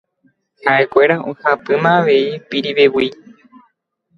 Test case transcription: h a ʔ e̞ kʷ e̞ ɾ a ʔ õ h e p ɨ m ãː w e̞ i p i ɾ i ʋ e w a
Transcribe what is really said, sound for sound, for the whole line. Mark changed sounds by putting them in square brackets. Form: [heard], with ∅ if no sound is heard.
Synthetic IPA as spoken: h a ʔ e̞ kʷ e̞ ɾ a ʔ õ h [a] p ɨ m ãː [ʋ] e̞ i p i ɾ i ʋ e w [i]